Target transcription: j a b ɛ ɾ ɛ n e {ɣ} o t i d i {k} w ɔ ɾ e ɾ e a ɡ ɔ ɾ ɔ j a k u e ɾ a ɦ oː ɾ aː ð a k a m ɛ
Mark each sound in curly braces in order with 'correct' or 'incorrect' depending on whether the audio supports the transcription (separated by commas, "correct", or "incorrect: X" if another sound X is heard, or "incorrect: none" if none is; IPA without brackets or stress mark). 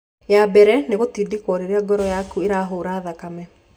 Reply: correct, correct